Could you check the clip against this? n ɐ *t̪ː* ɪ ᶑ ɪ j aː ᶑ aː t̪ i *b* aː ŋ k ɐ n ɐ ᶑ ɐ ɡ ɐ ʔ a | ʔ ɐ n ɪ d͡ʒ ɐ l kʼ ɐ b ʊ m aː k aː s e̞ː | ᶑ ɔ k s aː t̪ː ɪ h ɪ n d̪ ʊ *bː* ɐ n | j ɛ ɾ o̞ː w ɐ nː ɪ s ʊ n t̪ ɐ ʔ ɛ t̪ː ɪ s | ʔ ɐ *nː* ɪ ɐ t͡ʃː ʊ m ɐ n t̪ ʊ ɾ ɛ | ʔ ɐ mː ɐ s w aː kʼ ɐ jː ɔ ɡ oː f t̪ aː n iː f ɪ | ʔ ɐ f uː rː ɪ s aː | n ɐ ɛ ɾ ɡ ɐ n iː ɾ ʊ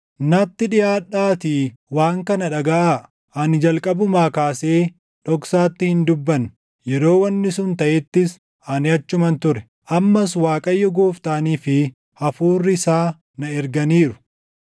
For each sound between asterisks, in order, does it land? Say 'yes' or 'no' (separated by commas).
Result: yes, no, yes, no